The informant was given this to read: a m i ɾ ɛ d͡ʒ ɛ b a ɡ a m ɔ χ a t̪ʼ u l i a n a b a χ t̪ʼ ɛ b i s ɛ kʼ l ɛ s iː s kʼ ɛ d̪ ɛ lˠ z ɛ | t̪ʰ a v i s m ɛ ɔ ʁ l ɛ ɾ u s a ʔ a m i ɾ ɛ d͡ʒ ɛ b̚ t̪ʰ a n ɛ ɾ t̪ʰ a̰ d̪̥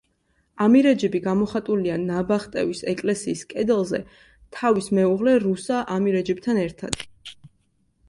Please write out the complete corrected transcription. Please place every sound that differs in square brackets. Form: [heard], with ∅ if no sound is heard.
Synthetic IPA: a m i ɾ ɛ d͡ʒ ɛ b [i] ɡ a m ɔ χ a t̪ʼ u l i a n a b a χ t̪ʼ ɛ [v] i s ɛ kʼ l ɛ s iː s kʼ ɛ d̪ ɛ lˠ z ɛ | t̪ʰ a v i s m ɛ [u] ʁ l ɛ ɾ u s a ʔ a m i ɾ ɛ d͡ʒ ɛ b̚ t̪ʰ a n ɛ ɾ t̪ʰ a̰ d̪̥